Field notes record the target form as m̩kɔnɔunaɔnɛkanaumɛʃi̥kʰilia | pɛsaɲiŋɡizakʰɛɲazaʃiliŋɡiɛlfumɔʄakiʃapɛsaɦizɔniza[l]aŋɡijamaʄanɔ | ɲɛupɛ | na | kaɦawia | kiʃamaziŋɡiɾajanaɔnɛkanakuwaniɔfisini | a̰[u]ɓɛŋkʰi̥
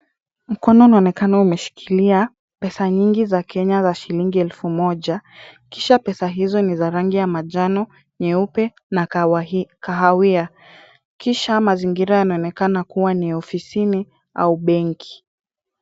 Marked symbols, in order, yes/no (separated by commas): no, yes